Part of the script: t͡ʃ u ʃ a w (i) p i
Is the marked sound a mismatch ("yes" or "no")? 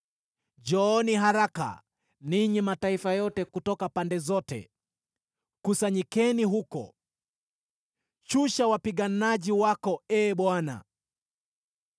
yes